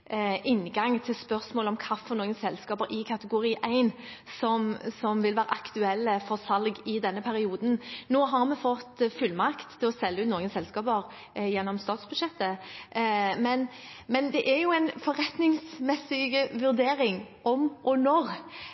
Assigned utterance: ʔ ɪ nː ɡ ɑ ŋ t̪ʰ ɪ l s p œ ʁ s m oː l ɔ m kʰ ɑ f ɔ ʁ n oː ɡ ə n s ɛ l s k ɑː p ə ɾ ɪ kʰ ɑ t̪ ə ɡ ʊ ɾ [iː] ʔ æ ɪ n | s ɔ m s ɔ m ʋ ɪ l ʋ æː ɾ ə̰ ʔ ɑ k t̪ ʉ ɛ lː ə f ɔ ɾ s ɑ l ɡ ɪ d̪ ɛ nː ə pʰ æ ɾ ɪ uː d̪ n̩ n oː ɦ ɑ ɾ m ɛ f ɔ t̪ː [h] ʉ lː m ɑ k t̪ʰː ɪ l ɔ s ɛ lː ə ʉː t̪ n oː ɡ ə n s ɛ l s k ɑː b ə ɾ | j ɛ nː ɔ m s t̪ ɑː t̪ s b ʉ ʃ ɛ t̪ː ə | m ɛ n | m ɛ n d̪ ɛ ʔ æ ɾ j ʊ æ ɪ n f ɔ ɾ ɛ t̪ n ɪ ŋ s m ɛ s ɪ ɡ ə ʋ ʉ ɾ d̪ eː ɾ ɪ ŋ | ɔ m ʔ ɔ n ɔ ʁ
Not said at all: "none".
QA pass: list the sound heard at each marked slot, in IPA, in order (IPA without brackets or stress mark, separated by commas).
iː, f